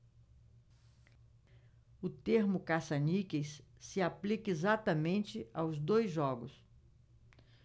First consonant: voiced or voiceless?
voiceless